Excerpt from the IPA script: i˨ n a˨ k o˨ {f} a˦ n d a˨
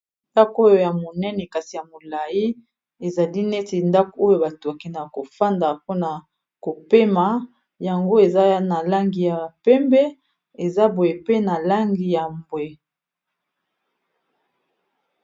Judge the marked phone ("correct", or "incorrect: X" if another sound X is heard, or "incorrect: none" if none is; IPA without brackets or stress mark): correct